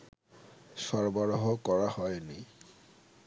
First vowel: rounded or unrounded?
rounded